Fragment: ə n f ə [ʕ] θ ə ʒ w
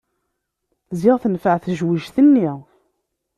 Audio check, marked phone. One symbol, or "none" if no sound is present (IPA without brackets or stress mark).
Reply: ʕ